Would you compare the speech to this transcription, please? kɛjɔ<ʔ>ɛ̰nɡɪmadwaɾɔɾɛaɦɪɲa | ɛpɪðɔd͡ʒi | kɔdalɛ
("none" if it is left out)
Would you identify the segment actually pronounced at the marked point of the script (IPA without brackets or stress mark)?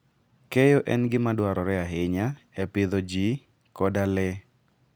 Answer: ʔ